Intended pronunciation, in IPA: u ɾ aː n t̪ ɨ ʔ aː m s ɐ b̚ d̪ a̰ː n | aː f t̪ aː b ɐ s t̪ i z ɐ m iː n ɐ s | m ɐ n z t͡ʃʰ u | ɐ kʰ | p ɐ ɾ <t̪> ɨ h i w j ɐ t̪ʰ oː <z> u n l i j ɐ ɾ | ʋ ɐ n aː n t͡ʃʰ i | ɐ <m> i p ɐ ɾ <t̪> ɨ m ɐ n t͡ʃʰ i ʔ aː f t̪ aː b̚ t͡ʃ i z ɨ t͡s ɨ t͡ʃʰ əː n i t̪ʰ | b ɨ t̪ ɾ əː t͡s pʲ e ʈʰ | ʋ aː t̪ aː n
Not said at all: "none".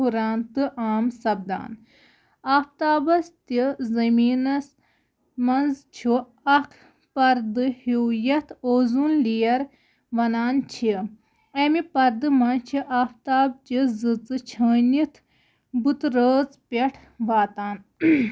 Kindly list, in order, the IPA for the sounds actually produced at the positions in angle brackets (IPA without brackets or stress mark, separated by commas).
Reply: d̪, z, m, d̪